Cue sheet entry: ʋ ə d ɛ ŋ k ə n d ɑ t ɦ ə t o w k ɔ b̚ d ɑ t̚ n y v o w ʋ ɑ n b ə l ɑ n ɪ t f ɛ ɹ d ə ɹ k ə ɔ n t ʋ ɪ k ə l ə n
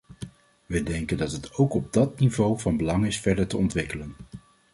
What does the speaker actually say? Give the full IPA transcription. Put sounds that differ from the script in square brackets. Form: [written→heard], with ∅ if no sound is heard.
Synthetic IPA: ʋ ə d ɛ ŋ k ə n d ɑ t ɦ ə t o w k ɔ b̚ d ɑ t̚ n [y→i] v o w [ʋ→v] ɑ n b ə l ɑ [n→ŋ] ɪ [t→s] f ɛ ɹ d ə ɹ [k→t] ə ɔ n t ʋ ɪ k ə l ə n